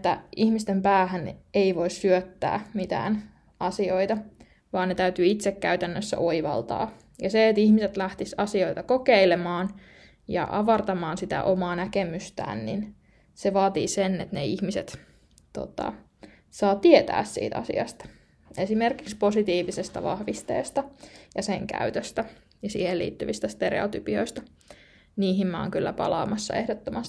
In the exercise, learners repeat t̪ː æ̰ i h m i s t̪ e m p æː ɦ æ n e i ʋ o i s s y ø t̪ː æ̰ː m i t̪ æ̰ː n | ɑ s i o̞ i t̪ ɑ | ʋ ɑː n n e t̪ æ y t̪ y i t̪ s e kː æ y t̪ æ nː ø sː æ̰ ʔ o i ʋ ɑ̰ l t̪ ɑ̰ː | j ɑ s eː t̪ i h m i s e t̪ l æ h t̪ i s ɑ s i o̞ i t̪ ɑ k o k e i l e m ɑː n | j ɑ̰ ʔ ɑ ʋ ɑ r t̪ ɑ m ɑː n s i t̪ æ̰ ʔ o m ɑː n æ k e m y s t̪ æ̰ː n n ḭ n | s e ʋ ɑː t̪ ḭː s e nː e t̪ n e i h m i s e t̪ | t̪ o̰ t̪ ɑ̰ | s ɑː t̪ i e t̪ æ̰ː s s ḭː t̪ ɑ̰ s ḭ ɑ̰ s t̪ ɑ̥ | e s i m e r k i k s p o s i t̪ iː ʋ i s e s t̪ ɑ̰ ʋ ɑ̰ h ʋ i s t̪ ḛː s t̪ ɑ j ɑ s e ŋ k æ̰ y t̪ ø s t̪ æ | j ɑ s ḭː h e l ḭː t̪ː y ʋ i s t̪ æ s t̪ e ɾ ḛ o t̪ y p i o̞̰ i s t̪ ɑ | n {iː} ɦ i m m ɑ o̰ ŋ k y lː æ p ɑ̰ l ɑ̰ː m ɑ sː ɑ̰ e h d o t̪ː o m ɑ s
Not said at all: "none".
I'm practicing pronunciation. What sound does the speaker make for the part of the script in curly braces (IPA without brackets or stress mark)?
iː